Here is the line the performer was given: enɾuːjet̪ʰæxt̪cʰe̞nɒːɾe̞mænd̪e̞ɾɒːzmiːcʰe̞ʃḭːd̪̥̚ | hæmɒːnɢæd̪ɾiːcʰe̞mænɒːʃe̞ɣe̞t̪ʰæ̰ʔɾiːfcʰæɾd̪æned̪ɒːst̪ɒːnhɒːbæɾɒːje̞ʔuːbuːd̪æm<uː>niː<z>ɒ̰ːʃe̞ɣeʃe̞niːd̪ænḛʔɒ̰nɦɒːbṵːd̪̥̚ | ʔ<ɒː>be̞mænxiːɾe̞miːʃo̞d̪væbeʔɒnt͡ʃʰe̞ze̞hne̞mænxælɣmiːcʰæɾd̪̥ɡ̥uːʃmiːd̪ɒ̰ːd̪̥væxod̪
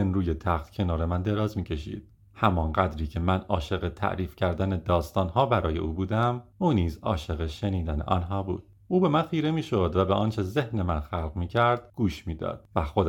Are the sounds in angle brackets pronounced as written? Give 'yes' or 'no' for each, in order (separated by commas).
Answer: yes, yes, no